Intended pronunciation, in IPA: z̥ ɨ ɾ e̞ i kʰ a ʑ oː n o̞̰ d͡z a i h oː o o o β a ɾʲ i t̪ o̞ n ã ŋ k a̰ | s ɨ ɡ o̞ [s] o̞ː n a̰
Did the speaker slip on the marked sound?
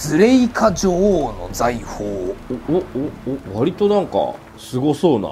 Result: no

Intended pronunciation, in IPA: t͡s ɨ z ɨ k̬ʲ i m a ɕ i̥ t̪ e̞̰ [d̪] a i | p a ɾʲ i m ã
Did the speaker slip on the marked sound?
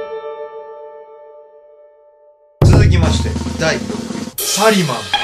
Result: no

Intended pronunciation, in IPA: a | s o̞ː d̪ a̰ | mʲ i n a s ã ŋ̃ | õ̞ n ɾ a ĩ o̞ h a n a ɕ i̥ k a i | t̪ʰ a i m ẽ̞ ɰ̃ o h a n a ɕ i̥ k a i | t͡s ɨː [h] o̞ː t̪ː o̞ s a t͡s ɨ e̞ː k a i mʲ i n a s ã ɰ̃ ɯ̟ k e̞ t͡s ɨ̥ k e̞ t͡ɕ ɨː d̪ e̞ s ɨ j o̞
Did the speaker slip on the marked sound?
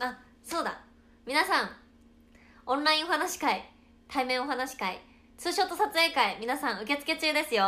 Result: yes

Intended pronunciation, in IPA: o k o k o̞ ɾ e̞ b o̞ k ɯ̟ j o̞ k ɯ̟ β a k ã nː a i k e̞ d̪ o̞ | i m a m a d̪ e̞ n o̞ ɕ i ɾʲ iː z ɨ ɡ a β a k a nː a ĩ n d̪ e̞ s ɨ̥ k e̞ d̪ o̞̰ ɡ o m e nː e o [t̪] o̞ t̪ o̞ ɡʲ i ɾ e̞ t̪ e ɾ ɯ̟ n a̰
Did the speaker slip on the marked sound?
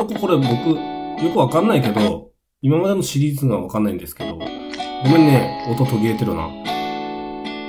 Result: no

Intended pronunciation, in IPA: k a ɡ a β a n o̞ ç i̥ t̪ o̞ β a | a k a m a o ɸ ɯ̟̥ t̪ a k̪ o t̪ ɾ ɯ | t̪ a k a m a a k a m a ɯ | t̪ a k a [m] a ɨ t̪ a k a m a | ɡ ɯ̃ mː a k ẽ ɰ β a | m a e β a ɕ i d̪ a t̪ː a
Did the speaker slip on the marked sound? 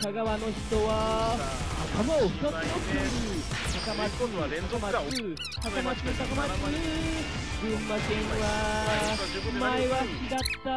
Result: no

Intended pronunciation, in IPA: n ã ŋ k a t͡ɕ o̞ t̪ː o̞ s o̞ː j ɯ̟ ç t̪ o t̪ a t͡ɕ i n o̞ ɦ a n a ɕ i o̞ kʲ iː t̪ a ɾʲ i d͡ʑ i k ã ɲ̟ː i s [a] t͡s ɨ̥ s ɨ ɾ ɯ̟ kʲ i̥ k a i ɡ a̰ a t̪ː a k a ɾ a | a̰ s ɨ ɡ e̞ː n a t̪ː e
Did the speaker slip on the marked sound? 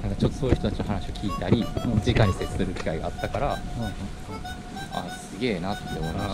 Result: yes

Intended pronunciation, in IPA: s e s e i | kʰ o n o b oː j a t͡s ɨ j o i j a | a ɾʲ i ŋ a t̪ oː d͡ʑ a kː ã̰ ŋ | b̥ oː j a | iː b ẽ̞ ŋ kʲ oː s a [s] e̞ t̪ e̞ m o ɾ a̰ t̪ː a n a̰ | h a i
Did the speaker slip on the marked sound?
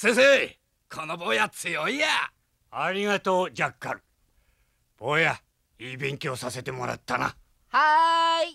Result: no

